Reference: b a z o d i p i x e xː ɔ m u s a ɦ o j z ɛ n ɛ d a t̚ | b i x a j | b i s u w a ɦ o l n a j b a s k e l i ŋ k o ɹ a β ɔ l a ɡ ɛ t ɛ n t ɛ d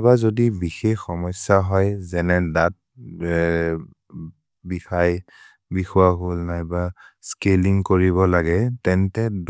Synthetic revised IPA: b a z o d i b i x e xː ɔ m ɔ s a ɦ ɔ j z ɛ n ɛ d a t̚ | b i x a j | b i x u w a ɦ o l n a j b a s k e l i ŋ k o ɹ i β ɔ l a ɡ ɛ t ɛ n t ɛ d